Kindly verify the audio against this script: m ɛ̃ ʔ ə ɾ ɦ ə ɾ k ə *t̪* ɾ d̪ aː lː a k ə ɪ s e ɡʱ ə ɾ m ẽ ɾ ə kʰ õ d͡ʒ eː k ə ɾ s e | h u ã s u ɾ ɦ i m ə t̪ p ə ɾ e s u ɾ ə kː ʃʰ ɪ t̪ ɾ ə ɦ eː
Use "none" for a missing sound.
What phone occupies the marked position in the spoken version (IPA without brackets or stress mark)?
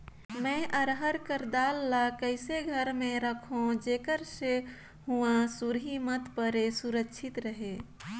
none